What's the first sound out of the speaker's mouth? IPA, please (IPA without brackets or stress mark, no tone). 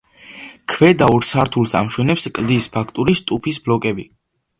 kʰ